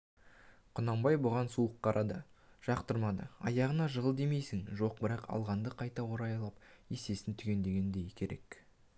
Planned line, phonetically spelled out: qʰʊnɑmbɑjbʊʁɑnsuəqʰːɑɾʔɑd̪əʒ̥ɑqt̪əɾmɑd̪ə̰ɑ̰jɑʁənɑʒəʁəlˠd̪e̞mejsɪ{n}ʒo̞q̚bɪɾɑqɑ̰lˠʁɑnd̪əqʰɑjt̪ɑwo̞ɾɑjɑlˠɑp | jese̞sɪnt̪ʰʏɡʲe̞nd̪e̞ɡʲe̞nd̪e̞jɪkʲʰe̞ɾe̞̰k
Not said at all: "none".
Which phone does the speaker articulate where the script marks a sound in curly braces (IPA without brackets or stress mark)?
ŋ